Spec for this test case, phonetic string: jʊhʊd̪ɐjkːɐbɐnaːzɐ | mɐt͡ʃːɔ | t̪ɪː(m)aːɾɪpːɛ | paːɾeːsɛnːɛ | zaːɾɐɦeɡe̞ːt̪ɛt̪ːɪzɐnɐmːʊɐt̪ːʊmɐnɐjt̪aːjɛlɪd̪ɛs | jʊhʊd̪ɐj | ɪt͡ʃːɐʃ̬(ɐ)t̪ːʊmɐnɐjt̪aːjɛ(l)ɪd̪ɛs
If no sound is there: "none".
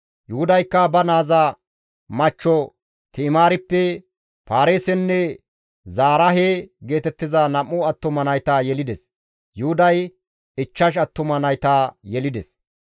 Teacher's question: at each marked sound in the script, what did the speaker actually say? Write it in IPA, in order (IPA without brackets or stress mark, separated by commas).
m, ɐ, l